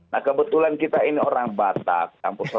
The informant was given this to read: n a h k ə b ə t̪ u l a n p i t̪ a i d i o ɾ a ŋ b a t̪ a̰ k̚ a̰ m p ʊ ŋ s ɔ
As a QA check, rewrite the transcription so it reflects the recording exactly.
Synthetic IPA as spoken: n a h k ə b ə t̪ u l a n k i t̪ a i n i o ɾ a ŋ b a t̪ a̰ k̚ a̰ m p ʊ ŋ s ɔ